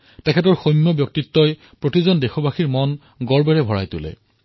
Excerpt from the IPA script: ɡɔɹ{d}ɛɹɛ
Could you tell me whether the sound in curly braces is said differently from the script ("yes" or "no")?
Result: yes